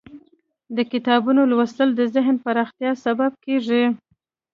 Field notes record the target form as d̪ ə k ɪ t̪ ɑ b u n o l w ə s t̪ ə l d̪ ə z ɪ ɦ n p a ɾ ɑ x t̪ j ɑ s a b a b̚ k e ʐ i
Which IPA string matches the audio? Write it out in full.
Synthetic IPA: d̪ ə k ɪ t̪ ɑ b u n o l w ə s t̪ ə l d̪ ə z ɪ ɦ n p a ɾ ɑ x t̪ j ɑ s a b a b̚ k e ʐ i